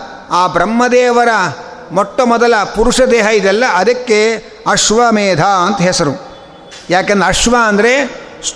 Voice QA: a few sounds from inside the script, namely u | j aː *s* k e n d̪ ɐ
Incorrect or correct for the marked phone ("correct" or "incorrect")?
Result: incorrect